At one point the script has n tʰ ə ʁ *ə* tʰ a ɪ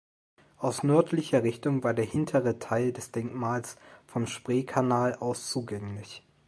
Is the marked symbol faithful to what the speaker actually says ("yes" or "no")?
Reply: yes